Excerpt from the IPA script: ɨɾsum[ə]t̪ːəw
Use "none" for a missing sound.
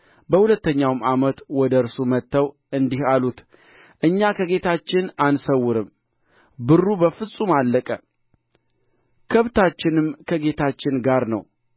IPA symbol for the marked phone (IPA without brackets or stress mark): ə